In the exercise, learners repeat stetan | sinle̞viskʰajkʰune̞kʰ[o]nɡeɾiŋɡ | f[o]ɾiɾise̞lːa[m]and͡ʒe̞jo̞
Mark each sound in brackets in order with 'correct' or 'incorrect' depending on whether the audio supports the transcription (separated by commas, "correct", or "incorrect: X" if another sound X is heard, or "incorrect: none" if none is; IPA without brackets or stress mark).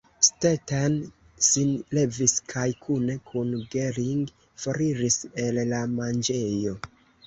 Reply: incorrect: u, correct, correct